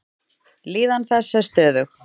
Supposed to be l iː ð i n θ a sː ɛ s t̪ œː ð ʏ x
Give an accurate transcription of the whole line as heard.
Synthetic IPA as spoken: l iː ð a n θ ɛ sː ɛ s t̪ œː ð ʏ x